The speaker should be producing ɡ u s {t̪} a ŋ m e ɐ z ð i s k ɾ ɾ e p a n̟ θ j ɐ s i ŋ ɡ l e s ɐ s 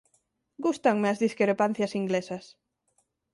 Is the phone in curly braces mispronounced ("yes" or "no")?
no